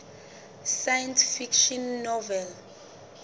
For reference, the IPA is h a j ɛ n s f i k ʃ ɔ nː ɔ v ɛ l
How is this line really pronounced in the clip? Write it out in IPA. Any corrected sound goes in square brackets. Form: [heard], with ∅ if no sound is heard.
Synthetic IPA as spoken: [s] a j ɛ n s f i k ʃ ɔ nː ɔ v ɛ l